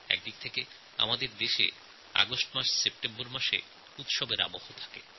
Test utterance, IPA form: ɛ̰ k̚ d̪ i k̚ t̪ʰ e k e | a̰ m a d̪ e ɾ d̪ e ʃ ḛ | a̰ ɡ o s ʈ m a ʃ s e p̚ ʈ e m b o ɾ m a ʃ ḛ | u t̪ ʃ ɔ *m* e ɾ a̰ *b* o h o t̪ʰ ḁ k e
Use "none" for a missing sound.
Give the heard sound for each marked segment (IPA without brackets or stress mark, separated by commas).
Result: b, b